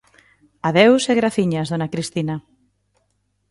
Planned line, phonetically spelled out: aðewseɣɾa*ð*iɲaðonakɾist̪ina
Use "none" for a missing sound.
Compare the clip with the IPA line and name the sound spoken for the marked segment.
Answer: θ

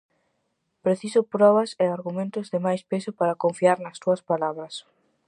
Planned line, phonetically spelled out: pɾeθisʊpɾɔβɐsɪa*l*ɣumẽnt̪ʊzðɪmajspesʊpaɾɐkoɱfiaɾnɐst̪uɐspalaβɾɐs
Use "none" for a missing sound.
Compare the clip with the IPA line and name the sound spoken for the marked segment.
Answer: ɾ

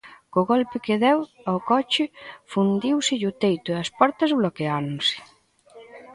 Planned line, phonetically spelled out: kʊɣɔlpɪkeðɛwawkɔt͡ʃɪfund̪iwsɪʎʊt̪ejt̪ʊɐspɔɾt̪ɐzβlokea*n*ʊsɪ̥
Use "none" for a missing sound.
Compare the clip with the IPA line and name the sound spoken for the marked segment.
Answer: n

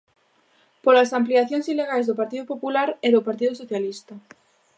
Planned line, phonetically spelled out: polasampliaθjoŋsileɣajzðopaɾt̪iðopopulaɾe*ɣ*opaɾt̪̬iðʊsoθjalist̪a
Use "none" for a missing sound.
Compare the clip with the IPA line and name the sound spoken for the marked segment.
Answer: ð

